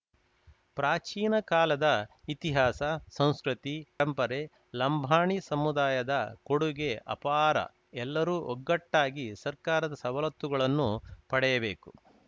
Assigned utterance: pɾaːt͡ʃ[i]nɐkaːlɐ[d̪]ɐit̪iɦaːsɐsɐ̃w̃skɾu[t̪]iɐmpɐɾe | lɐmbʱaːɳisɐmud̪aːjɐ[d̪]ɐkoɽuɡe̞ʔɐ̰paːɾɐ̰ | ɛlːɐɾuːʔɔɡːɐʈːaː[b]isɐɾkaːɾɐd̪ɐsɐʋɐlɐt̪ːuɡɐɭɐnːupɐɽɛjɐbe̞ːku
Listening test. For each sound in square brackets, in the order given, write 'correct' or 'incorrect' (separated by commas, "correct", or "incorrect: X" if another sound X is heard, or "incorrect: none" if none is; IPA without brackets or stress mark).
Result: incorrect: iː, correct, correct, correct, incorrect: ɡ